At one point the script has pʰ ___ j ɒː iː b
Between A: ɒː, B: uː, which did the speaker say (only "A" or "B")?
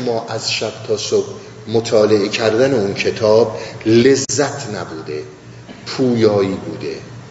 B